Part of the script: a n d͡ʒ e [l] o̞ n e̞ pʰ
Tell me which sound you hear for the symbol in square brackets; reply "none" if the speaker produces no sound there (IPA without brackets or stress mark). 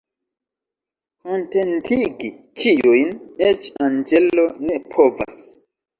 l